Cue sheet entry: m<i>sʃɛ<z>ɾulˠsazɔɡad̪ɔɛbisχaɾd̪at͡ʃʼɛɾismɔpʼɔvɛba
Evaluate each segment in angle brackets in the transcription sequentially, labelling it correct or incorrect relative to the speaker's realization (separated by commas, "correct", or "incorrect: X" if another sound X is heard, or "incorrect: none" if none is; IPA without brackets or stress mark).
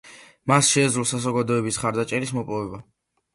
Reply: incorrect: a, correct